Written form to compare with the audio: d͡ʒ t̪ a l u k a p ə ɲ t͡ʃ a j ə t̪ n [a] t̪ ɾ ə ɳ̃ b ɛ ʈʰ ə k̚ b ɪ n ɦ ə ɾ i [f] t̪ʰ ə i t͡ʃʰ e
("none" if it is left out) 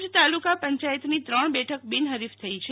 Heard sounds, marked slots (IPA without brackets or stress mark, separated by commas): i, f